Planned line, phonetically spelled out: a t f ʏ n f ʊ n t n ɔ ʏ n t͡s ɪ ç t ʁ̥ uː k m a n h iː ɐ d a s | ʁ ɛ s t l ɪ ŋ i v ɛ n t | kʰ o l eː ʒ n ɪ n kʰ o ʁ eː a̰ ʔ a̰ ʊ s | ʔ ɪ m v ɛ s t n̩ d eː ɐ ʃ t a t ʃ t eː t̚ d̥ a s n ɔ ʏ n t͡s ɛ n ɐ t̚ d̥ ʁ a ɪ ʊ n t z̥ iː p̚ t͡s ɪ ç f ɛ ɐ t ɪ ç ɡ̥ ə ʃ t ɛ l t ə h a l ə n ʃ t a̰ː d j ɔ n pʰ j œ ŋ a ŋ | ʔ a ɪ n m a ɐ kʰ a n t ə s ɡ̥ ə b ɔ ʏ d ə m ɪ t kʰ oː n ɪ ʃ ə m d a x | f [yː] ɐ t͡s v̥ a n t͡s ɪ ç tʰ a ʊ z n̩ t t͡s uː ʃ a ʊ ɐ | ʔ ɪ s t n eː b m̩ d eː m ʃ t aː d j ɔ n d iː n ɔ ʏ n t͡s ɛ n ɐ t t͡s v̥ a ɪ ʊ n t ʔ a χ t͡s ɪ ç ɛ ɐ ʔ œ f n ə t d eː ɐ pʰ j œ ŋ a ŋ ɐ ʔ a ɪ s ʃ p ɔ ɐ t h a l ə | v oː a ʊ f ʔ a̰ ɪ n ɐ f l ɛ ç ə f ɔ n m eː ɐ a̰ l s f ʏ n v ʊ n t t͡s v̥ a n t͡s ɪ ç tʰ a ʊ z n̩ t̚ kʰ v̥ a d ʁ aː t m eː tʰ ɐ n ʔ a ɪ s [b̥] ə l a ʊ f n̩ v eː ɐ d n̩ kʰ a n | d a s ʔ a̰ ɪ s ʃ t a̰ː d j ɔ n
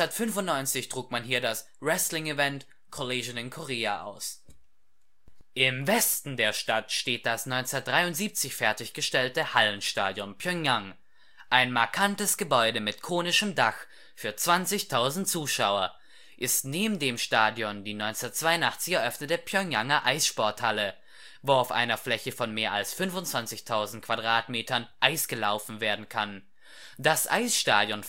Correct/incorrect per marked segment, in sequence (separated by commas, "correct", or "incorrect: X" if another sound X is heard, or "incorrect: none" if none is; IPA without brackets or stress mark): correct, incorrect: ɡ̥